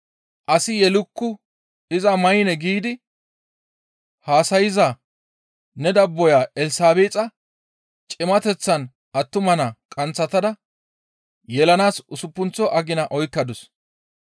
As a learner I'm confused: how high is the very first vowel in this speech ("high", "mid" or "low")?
low